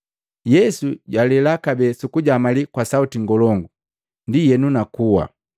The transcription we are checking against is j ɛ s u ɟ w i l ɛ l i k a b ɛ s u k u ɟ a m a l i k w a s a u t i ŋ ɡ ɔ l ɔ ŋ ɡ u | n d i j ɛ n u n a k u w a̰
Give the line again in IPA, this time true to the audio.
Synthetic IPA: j ɛ s u ɟ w a l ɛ l a k a b ɛ s u k u ɟ a m a l i k w a s a u t i ŋ ɡ ɔ l ɔ ŋ ɡ u | n d i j ɛ n u n a k u w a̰